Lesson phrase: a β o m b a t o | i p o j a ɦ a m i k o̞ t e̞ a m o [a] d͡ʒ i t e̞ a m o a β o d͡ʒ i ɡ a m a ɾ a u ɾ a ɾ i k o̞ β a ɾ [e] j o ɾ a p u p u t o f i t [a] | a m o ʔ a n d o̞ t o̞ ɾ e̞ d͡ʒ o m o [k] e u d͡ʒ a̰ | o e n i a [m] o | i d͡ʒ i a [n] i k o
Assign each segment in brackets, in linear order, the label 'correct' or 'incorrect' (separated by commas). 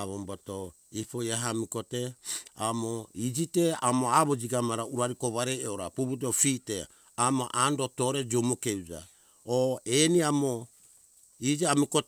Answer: incorrect, correct, incorrect, correct, correct, incorrect